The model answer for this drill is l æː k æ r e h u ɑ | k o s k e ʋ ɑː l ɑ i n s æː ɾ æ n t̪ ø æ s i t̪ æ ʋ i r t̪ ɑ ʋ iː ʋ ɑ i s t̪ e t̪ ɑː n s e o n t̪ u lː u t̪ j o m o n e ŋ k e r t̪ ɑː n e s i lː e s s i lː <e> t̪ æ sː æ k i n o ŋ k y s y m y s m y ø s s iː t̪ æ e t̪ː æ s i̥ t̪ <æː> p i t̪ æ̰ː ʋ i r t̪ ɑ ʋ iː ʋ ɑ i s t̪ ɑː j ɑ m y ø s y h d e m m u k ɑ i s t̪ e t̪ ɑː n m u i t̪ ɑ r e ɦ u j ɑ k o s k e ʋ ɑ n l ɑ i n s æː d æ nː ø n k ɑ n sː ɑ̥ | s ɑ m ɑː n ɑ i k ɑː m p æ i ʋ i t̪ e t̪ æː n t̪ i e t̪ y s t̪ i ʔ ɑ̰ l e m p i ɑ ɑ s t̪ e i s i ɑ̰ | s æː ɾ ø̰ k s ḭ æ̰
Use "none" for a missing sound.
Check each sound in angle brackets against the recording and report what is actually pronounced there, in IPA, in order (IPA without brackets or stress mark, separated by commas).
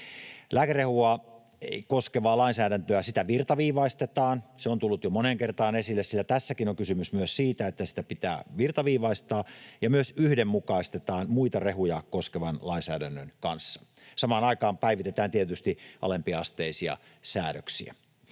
æ, æ